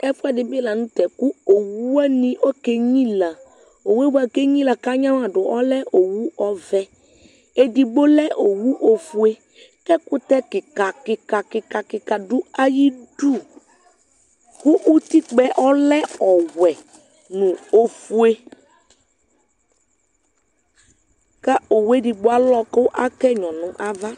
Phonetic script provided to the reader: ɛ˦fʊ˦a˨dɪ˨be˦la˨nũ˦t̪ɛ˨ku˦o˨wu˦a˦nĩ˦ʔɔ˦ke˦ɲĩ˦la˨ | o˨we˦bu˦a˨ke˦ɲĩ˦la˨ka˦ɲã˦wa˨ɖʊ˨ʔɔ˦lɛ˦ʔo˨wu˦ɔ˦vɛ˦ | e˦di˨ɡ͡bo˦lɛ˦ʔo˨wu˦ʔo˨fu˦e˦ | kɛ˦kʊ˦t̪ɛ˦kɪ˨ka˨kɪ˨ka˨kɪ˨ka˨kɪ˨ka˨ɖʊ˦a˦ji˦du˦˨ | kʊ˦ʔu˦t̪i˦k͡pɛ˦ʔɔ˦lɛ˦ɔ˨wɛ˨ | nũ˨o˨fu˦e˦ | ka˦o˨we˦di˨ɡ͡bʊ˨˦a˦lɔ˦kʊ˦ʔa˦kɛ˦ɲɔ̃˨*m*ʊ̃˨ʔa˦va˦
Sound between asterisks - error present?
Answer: yes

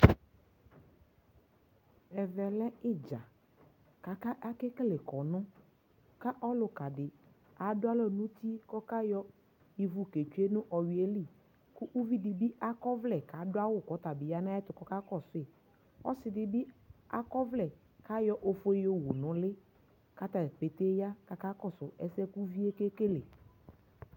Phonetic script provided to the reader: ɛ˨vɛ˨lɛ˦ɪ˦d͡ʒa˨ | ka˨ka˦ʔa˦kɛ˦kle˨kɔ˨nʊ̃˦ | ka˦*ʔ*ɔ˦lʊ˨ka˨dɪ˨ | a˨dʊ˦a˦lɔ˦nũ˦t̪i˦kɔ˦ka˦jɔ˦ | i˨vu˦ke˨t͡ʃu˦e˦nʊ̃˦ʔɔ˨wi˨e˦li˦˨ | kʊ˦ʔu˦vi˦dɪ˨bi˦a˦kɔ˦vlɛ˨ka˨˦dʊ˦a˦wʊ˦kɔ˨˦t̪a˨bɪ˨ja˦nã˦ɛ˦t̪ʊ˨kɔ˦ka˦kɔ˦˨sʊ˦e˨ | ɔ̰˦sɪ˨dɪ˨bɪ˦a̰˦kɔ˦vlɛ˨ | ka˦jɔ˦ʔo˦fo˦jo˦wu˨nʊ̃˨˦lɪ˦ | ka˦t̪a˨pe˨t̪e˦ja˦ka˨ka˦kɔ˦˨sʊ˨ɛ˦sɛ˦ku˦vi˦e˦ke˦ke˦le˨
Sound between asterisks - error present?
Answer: no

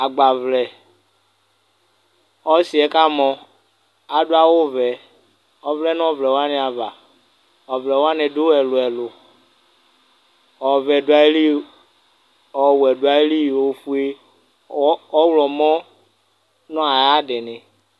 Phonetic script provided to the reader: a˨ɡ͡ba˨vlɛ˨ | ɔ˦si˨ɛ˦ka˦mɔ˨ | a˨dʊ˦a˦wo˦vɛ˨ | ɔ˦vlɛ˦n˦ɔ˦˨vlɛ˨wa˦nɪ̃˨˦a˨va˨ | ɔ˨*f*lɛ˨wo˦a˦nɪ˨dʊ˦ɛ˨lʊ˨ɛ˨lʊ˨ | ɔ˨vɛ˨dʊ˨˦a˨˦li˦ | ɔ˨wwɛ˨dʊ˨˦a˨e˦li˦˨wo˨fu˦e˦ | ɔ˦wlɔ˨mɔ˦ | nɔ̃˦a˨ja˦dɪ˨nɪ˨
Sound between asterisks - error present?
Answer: yes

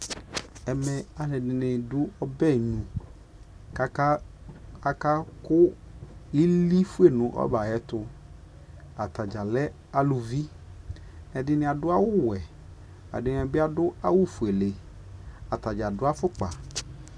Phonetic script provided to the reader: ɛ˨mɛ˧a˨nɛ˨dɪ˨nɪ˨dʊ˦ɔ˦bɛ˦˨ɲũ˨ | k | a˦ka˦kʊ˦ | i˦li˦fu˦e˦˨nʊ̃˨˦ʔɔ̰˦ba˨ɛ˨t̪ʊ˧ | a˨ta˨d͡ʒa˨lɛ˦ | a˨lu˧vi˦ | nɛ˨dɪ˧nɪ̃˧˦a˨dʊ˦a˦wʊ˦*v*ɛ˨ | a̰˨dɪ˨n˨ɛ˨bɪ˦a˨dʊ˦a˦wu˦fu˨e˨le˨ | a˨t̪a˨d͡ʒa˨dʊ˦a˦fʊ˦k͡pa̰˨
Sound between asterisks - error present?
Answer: yes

